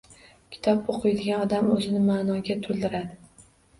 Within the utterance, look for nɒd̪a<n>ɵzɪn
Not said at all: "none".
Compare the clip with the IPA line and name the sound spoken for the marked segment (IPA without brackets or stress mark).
m